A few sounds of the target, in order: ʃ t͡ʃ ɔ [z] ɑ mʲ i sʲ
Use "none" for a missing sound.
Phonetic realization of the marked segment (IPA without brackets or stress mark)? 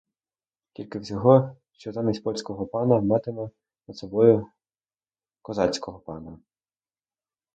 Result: z